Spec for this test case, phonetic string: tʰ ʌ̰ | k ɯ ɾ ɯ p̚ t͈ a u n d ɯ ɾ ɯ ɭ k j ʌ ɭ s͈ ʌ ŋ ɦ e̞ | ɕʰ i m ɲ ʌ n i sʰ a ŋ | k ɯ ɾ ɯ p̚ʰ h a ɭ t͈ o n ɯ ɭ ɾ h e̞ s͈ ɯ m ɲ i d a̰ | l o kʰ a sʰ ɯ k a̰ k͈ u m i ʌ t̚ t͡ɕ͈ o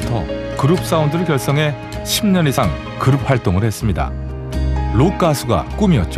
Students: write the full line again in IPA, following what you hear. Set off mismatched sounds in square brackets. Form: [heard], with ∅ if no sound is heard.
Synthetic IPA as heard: tʰ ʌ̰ | k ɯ ɾ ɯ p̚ [s͈] a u n d ɯ ɾ ɯ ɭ k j ʌ ɭ s͈ ʌ ŋ ɦ e̞ | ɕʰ i m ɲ ʌ n i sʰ a ŋ | k ɯ ɾ ɯ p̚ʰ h a ɭ t͈ o [ŋ] ɯ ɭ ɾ h e̞ s͈ ɯ m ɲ i d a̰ | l o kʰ a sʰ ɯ [ɡ] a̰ k͈ u m i ʌ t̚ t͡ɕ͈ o